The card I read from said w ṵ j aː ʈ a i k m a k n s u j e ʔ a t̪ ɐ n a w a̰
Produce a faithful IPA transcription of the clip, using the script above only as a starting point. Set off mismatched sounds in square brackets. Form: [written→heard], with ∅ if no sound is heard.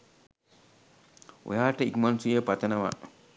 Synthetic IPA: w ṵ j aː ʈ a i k m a [k→∅] n s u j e [ʔ→p] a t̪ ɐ n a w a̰